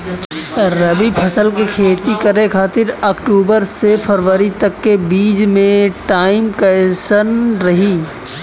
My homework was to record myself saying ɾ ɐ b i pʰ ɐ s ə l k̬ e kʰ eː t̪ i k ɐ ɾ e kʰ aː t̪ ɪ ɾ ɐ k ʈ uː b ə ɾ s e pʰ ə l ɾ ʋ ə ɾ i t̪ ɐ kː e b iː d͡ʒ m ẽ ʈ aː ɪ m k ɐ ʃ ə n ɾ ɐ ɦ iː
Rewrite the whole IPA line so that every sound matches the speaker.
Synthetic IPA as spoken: ɾ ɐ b i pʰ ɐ s ə l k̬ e kʰ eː t̪ i k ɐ ɾ e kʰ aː t̪ ɪ ɾ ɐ k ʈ uː b ə ɾ s e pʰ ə ɾ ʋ ə ɾ i t̪ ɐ kː e b iː d͡ʒ m ẽ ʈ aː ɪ m k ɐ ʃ ə n ɾ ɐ ɦ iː